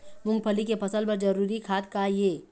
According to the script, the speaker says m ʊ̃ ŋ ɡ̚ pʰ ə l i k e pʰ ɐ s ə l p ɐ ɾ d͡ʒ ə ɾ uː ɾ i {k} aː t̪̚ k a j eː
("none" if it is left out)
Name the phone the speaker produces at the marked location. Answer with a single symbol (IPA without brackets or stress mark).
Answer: kʰ